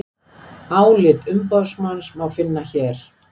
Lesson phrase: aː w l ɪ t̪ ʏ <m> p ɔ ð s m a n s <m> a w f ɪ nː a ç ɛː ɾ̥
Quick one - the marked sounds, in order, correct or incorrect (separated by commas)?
correct, correct